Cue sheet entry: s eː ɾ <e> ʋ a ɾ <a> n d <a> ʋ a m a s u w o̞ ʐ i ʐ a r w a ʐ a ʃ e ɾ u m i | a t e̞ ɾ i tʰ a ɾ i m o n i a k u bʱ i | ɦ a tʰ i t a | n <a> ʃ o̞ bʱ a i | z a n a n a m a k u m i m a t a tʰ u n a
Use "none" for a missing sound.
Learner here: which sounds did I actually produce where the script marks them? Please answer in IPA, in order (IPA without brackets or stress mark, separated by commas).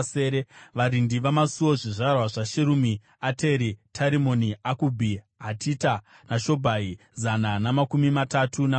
e, i, i, a